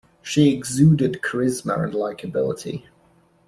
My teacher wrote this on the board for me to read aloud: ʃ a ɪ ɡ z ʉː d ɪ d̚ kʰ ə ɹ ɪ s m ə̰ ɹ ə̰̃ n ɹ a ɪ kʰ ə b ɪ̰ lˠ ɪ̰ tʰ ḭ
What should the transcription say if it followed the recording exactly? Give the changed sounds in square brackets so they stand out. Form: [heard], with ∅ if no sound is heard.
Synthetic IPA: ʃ [i] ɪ ɡ z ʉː d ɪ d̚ kʰ ə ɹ ɪ [z] m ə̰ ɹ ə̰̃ n [l] a ɪ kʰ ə b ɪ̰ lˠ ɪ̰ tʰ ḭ